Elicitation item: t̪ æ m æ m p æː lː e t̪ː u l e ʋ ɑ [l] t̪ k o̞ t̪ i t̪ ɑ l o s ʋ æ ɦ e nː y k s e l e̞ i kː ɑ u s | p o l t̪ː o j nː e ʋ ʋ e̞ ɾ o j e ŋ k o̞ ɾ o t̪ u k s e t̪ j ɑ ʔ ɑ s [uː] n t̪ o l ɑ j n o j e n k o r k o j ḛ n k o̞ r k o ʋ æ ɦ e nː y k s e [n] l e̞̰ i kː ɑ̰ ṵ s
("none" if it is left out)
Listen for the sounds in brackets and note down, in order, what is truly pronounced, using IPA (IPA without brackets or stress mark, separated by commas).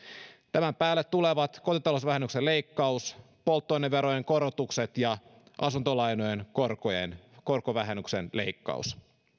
none, u, n